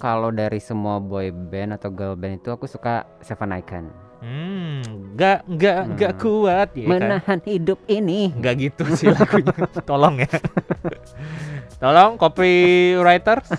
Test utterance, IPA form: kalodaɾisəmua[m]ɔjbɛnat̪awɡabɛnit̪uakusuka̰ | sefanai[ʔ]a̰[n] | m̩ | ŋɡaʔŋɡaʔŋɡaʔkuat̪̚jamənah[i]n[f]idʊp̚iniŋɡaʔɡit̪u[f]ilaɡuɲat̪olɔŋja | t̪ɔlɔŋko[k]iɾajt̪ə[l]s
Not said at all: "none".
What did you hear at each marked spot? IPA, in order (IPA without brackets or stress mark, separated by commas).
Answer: b, k, n, a, h, s, p, r